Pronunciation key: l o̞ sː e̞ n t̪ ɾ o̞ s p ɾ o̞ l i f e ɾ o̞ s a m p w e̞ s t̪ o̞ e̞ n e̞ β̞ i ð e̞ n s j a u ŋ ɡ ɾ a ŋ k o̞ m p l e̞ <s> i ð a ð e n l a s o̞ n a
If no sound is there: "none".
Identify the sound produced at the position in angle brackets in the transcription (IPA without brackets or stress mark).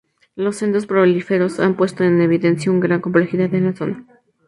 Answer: x